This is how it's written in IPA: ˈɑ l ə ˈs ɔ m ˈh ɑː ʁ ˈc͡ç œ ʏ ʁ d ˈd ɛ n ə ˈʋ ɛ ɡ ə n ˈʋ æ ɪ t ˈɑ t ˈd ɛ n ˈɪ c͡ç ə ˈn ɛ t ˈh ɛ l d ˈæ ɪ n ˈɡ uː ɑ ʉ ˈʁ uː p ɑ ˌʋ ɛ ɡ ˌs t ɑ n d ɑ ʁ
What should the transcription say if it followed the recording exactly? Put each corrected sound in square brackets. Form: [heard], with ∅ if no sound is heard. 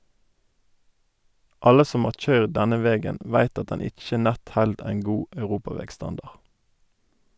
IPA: ˈɑ l ə ˈs ɔ m ˈh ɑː ʁ ˈc͡ç œ ʏ ʁ d ˈd ɛ n ə ˈʋ ɛ ɡ ə n ˈʋ æ ɪ t ˈɑ t ˈd ɛ n ˈɪ c͡ç ə ˈn ɛ t ˈh ɛ l d ˈæ ɪ n ˈɡ uː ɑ ʉ ˈʁ uː p ɑ ˌʋ ɛ ɡ ˌs t ɑ n d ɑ ʁ